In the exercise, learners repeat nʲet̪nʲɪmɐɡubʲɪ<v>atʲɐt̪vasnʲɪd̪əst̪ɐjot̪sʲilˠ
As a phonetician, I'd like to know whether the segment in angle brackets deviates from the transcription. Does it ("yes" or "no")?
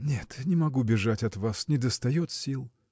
yes